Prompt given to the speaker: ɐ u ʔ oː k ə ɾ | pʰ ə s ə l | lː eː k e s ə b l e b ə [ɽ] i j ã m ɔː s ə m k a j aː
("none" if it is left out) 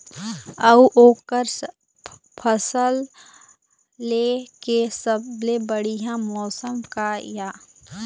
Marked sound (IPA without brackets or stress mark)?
ɽ